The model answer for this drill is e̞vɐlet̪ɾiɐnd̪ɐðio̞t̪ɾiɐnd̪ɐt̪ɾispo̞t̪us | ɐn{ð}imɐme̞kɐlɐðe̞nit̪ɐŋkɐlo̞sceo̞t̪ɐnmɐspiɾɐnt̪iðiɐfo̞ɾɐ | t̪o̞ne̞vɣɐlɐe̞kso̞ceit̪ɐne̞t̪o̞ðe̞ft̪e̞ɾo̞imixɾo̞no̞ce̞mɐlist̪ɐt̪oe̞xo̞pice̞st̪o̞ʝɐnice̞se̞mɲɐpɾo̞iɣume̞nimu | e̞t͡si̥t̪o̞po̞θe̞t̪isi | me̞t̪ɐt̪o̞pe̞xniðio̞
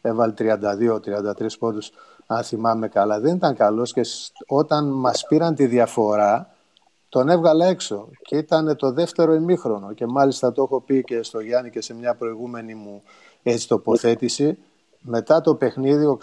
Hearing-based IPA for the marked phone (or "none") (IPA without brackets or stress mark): θ